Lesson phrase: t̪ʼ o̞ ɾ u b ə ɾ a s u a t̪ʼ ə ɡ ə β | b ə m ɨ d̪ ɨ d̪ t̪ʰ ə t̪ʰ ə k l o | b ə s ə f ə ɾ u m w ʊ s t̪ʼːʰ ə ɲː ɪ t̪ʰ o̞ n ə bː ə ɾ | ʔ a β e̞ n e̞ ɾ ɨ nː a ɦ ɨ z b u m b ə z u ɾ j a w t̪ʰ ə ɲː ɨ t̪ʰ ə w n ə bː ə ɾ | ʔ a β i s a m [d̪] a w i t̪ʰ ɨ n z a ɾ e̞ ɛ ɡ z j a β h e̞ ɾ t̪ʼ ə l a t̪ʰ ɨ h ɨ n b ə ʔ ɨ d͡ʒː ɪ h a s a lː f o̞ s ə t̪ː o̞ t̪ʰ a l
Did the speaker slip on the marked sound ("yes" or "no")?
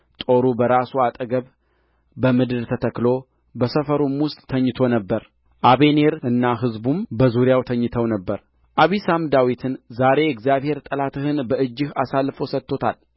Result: no